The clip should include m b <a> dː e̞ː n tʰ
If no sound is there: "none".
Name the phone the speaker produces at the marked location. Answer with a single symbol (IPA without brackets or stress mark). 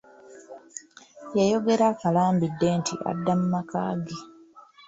i